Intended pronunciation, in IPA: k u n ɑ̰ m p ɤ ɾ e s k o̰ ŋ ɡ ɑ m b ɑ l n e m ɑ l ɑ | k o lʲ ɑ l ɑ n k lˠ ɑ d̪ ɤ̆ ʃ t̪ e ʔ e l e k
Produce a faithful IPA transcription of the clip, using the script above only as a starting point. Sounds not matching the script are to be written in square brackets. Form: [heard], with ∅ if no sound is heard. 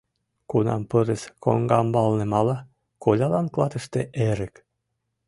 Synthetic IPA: k u n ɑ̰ m p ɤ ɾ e s k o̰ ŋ ɡ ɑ m b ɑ l n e m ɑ l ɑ | k o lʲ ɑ l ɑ n k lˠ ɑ [t̪] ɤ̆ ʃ t̪ e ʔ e [ɾ] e k